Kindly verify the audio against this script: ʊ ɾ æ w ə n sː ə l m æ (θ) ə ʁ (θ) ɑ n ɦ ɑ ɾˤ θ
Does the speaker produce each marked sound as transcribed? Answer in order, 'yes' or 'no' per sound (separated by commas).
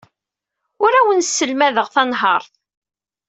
no, yes